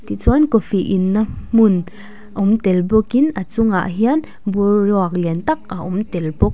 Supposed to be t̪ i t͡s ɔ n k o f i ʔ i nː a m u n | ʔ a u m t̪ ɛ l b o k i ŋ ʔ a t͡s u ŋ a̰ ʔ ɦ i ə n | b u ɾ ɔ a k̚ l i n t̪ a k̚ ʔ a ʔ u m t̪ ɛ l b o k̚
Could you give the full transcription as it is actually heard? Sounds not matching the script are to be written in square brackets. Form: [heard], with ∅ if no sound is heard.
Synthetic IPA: t̪ i t͡s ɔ n k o f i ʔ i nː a m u n | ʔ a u m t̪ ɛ l b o k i [n] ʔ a t͡s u ŋ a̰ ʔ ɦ i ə n | b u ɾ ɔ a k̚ l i n t̪ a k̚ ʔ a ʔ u m t̪ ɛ l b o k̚